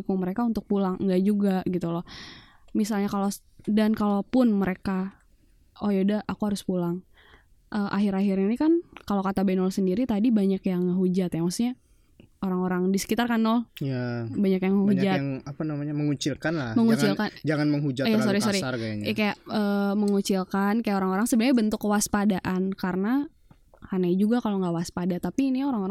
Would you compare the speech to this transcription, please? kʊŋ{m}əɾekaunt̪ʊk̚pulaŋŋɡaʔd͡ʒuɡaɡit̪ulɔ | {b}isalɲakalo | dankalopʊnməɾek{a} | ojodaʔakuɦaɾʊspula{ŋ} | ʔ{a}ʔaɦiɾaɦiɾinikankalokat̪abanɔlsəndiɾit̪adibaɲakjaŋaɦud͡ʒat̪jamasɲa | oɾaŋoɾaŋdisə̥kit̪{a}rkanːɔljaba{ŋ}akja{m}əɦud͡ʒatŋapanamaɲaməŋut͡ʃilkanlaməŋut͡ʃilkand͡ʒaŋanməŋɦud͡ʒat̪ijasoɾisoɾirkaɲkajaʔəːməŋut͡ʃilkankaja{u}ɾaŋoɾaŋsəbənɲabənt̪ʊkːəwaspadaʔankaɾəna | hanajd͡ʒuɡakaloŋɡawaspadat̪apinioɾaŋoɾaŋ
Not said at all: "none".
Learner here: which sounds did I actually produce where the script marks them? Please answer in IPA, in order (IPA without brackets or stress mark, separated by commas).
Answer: m, m, a, ŋ, ə, a, ɲ, ŋ, o